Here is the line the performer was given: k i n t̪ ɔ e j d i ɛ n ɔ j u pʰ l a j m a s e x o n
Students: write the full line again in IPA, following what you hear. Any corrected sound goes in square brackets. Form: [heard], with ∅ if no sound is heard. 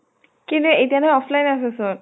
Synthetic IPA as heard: k i n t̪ [u] e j [t] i [a] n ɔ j [ɔ] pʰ l a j [n] a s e [s] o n